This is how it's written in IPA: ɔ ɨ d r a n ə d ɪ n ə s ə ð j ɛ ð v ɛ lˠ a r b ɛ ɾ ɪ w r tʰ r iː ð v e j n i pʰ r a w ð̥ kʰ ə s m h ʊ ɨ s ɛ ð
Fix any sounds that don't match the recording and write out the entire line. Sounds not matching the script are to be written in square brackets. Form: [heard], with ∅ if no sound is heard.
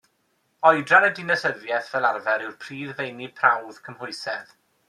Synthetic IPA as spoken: ɔ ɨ d r a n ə d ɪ n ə s ə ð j ɛ [θ] v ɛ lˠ a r [v] ɛ ɾ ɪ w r [pʰ] r iː ð v e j n i pʰ r a w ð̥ kʰ ə [∅] m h ʊ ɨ s ɛ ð